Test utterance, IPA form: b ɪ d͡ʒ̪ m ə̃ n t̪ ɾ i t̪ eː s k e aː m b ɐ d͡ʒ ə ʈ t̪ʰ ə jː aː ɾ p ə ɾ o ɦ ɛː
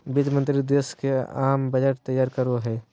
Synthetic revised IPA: b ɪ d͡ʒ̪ m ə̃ n t̪ ɾ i d̪ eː s k e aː m b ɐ d͡ʒ ə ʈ t̪ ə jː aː ɾ k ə ɾ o ɦ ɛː

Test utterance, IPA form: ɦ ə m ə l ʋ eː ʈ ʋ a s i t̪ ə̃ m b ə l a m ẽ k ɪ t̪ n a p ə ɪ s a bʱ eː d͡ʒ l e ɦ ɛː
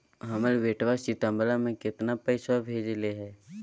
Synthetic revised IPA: ɦ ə m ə l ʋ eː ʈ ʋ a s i t̪ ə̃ m b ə l a m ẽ k ɪ t̪ n a p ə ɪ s a bʱ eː d͡ʒ l e ɦ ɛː

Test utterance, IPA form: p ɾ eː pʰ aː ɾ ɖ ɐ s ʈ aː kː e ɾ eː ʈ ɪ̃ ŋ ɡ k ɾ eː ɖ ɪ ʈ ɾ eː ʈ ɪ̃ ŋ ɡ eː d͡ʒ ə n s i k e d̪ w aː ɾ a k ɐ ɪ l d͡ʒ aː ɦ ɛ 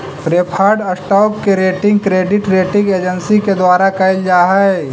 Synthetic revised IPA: p ɾ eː pʰ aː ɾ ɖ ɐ s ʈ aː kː e ɾ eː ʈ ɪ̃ ŋ ɡ k ɾ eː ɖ ɪ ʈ ɾ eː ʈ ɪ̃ ŋ ɡ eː d͡ʒ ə n s i k e d̪ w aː ɾ a k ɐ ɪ l d͡ʒ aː ɦ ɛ

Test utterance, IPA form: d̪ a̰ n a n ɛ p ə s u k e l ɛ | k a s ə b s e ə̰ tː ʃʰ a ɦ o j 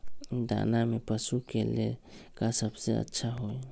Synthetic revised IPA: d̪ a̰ n a m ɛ p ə s u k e l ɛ | k a s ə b s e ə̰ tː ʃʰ a ɦ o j

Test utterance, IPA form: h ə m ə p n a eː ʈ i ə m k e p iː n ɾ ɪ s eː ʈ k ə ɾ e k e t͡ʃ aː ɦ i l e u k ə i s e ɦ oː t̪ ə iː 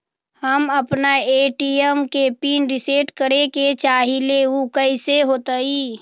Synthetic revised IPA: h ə m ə p n a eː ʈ i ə m k e p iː n ɾ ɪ s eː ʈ k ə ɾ e k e t͡ʃ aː ɦ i l e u k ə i s e ɦ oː t̪ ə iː

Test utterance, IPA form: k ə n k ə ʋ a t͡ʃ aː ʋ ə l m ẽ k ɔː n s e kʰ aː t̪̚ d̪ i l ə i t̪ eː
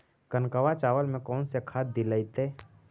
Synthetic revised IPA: k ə n k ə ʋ a t͡ʃ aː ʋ ə l m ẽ k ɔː n s e kʰ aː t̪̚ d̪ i l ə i t̪ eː

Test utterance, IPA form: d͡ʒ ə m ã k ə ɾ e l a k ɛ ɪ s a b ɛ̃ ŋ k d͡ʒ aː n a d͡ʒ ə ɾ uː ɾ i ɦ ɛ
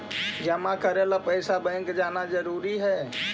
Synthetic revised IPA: d͡ʒ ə m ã k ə ɾ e l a p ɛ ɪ s a b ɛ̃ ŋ k d͡ʒ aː n a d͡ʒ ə ɾ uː ɾ i ɦ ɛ

